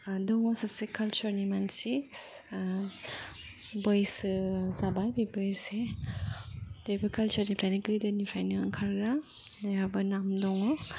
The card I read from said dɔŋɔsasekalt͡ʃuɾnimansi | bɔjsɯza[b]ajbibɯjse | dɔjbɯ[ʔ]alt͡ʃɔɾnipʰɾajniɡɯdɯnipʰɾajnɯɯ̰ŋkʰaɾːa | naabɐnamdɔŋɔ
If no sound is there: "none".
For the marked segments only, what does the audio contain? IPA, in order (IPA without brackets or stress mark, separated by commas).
b, k